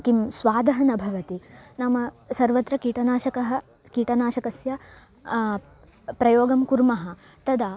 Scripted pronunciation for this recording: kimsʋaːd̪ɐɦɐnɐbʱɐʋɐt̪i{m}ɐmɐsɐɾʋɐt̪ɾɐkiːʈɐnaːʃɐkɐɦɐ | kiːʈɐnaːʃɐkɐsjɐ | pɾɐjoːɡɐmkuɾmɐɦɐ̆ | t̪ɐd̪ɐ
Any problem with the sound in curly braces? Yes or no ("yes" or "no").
yes